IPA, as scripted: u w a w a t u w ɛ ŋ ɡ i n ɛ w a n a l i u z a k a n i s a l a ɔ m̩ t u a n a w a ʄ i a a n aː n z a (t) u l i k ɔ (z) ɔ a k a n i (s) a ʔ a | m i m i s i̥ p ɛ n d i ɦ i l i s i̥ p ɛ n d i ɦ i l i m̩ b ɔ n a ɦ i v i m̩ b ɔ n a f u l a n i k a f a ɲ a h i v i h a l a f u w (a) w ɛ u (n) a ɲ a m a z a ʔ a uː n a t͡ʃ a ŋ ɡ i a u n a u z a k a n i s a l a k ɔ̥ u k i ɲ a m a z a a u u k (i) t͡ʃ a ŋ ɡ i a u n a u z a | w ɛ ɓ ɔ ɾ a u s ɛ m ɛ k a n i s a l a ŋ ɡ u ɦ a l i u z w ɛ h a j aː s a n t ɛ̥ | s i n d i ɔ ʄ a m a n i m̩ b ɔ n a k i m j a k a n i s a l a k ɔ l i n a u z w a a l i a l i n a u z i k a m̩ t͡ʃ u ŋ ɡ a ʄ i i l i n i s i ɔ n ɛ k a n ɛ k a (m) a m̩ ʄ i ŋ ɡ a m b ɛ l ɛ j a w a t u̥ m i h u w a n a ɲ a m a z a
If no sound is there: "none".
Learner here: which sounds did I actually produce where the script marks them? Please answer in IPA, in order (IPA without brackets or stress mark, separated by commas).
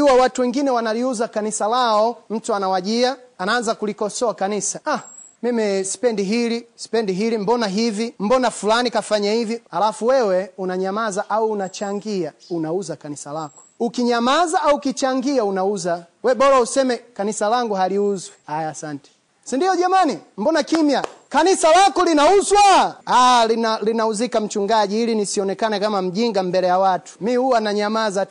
k, s, s, ɛ, n, i, m